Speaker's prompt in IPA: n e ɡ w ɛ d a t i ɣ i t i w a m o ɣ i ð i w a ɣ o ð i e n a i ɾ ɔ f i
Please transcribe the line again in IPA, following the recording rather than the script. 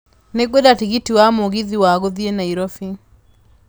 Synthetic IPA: n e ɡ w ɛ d a t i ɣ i t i w a m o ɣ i ð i w a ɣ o ð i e n a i ɾ ɔ f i